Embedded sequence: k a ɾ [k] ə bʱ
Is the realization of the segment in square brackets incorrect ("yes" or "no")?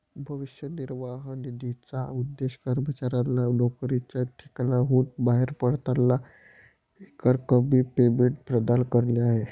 no